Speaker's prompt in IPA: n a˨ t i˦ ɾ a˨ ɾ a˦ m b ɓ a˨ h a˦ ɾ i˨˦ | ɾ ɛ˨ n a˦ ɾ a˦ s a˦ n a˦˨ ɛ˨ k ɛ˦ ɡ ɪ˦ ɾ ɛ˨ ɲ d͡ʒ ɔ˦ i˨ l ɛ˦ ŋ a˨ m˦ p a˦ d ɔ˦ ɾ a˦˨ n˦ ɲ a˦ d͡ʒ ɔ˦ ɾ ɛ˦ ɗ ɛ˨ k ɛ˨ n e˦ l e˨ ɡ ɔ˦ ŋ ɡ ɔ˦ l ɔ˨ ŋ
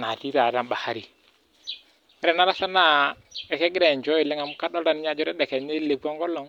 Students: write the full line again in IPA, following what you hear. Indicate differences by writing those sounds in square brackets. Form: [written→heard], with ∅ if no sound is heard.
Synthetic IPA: n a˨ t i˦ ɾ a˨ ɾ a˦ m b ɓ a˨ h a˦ ɾ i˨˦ | ɾ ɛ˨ n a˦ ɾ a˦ s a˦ n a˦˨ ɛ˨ k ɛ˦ ɡ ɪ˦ ɾ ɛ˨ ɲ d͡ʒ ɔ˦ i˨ l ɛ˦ ŋ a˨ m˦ [p→k] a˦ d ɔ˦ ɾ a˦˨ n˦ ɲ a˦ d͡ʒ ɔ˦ ɾ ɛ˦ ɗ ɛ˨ k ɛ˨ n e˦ l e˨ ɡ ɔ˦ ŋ ɡ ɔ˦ l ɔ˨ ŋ